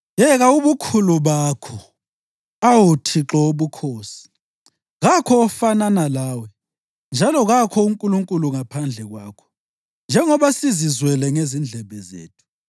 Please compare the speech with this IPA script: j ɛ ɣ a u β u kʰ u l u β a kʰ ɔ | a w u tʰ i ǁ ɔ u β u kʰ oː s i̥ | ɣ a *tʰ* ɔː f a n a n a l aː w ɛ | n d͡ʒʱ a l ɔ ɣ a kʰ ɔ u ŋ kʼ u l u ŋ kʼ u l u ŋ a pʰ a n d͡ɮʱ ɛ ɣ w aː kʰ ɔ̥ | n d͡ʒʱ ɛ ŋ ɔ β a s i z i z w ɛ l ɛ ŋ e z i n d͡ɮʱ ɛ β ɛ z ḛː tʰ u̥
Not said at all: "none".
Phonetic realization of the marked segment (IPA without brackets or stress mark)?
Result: kʰ